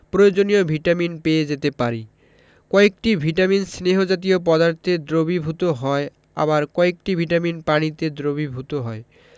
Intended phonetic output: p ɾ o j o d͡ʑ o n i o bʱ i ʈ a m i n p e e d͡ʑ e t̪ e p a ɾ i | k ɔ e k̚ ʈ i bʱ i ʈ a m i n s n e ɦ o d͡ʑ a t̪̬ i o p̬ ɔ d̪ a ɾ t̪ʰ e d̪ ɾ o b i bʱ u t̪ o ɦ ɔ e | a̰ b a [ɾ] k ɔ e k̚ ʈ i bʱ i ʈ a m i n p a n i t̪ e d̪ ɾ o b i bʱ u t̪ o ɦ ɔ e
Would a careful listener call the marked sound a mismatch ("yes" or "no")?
no